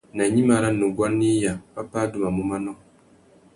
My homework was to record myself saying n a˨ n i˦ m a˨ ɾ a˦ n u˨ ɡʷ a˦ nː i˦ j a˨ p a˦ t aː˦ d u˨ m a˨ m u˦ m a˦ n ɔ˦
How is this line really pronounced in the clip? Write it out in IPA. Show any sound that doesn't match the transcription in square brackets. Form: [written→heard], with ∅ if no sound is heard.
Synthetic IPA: n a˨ [n→ɲ] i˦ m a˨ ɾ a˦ n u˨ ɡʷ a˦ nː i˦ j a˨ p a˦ [t→p] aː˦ d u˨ m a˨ m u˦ m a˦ n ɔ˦